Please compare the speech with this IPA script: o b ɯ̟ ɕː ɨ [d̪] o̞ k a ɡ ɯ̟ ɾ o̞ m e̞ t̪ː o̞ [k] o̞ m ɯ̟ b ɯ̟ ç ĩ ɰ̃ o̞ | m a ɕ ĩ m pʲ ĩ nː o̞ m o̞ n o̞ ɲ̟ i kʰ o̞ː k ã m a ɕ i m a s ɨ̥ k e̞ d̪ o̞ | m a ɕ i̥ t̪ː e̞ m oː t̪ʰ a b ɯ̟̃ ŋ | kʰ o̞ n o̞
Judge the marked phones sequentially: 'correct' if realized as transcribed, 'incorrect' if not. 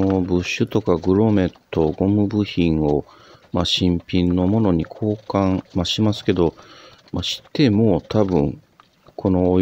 incorrect, incorrect

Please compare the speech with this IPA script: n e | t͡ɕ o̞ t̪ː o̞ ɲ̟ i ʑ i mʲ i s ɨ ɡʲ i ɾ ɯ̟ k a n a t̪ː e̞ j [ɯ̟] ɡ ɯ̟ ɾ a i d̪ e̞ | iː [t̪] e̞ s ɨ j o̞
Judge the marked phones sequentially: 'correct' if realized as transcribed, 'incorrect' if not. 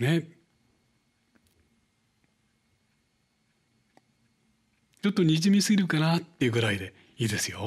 correct, incorrect

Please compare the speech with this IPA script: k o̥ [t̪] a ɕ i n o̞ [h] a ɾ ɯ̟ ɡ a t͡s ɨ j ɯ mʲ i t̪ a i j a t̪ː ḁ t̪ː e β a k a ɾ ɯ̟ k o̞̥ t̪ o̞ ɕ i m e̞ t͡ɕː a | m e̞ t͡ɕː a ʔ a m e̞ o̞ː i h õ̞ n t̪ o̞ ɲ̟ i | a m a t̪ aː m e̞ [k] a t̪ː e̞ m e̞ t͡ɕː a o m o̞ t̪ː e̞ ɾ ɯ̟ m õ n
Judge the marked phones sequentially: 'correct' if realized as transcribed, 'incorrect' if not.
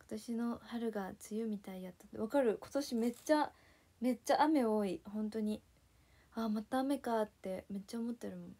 correct, correct, correct

